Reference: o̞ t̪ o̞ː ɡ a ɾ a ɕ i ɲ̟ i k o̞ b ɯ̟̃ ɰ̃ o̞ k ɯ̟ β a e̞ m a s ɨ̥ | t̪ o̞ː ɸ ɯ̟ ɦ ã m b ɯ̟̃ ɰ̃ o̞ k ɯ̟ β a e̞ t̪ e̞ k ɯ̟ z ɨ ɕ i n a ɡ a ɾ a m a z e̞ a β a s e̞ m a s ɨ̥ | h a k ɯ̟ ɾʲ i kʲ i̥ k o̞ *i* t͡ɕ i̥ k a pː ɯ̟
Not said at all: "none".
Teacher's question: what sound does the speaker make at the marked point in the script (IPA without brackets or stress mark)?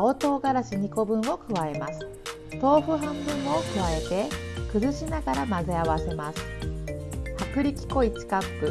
i